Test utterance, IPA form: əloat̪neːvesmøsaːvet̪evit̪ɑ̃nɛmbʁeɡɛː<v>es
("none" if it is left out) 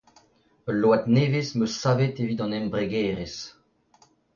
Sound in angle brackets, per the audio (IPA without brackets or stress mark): ʁ